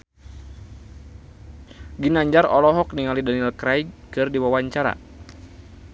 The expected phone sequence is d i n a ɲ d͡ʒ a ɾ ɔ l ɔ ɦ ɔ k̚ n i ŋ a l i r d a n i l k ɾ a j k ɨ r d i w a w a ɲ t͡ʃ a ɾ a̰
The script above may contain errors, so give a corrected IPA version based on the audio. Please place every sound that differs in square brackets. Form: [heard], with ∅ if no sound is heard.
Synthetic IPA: [ɡ] i n a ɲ d͡ʒ a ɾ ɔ l ɔ ɦ ɔ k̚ n i ŋ a l i [∅] d a n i l k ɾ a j k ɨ r d i w a w a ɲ t͡ʃ a ɾ a̰